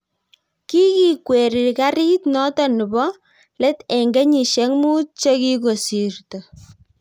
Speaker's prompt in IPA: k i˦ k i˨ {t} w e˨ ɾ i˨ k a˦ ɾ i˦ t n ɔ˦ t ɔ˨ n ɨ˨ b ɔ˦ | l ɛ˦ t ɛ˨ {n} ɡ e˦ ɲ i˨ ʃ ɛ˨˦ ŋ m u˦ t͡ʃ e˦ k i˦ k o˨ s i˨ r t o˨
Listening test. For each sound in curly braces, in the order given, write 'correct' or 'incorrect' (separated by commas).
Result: incorrect, incorrect